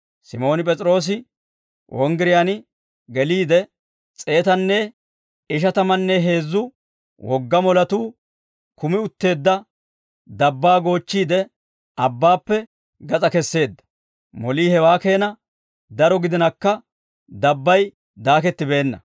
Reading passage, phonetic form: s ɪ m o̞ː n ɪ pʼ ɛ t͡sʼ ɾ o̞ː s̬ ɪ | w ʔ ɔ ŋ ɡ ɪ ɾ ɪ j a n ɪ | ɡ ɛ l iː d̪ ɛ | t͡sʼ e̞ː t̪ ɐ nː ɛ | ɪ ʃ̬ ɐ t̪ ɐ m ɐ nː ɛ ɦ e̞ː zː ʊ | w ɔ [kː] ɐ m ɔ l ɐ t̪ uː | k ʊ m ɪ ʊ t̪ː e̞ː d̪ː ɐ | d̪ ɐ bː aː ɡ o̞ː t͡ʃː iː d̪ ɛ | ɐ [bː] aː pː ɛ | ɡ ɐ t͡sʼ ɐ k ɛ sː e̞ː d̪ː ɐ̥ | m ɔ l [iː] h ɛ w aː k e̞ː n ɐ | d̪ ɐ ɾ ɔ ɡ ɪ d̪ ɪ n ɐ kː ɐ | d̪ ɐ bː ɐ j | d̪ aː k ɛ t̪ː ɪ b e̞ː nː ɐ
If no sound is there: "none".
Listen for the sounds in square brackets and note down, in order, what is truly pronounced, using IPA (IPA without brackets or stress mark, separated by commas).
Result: ɡː, bː, iː